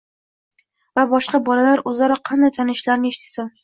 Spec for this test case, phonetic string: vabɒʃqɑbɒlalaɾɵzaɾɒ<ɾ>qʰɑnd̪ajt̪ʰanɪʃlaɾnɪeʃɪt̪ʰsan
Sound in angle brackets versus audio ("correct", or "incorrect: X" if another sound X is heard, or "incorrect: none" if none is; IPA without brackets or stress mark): incorrect: none